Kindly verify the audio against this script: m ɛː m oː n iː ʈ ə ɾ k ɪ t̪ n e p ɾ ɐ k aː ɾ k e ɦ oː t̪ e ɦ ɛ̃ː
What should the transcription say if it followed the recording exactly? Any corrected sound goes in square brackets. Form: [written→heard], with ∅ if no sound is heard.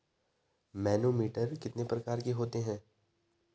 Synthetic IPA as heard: m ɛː [m→n] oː [n→m] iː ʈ ə ɾ k ɪ t̪ n e p ɾ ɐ k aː ɾ k e ɦ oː t̪ e ɦ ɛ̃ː